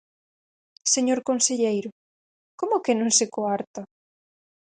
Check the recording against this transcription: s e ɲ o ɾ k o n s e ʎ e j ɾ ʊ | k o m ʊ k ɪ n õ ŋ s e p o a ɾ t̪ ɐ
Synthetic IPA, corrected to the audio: s e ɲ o ɾ k o n s e ʎ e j ɾ ʊ | k o m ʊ k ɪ n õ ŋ s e k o a ɾ t̪ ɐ